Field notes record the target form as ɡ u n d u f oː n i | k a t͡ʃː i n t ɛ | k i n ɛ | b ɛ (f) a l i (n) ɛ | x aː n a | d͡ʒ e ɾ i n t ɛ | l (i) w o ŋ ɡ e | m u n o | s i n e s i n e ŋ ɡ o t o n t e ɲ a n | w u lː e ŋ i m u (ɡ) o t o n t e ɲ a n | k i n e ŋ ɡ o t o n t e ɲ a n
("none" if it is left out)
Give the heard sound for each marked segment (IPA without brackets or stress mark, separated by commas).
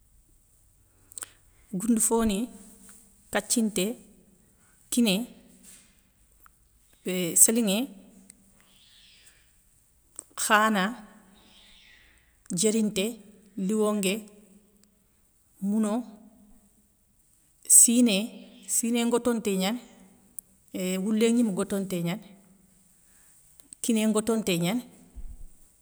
s, ŋ, i, ɡ